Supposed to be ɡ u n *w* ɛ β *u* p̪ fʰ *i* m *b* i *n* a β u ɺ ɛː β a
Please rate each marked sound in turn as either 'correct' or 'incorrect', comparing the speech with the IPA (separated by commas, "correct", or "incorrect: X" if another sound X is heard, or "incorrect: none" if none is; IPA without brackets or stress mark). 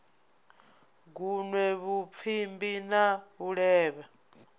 correct, correct, correct, correct, correct